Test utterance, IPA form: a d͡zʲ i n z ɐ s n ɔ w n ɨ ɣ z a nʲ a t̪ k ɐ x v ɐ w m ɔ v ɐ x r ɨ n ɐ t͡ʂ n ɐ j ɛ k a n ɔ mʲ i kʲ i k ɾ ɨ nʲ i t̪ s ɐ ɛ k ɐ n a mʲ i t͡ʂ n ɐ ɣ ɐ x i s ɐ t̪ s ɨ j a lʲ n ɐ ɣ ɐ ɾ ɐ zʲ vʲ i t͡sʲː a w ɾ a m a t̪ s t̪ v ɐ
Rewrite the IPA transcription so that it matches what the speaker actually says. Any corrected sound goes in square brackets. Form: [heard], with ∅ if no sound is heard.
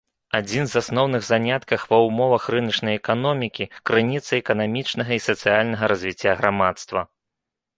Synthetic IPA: a d͡zʲ i n z [a] s n ɔ w n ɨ ɣ z a nʲ a t̪ k ɐ x v ɐ w m ɔ v ɐ x r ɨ n ɐ t͡ʂ n ɐ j ɛ k a n ɔ mʲ i kʲ i k ɾ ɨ nʲ i t̪ s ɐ ɛ k ɐ n a mʲ i t͡ʂ n ɐ ɣ ɐ [∅] i s ɐ t̪ s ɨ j a lʲ n ɐ ɣ ɐ ɾ ɐ zʲ vʲ i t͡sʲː a [ɣ] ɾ a m a t̪ s t̪ v ɐ